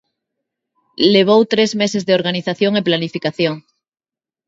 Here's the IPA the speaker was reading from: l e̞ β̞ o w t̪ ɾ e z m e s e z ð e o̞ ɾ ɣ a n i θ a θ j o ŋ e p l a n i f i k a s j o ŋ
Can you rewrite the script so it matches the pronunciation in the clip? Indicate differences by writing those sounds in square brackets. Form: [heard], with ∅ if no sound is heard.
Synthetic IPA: l e̞ β̞ o w t̪ ɾ e z m e s e z ð e o̞ ɾ ɣ a n i θ a θ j o ŋ e p l a n i f i k a [θ] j o ŋ